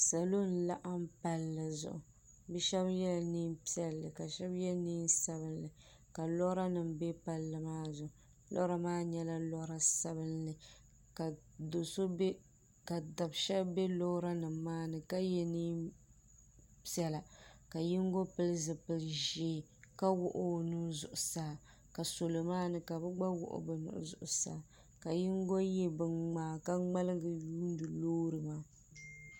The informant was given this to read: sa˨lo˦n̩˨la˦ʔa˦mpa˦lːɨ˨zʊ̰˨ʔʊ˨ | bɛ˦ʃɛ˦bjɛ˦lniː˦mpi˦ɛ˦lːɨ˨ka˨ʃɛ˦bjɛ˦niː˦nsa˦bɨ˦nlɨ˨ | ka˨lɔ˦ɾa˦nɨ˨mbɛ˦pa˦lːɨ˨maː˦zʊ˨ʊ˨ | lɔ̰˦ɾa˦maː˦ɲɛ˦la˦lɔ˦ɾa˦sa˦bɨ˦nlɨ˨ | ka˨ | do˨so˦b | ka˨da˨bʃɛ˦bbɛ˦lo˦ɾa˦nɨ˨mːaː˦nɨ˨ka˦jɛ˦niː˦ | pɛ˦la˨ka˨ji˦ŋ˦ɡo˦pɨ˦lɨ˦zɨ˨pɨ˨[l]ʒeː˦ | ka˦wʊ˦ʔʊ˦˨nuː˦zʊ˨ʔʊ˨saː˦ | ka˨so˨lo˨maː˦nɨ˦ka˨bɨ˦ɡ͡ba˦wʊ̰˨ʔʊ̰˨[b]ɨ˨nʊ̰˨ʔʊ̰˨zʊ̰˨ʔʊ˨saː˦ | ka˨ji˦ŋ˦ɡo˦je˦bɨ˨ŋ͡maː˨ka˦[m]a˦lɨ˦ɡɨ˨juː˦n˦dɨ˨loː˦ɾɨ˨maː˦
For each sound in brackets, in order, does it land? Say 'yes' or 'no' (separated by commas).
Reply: yes, yes, no